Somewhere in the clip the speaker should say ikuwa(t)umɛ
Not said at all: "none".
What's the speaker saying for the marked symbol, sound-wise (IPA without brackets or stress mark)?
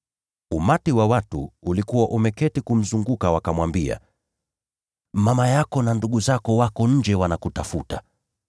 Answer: ʔ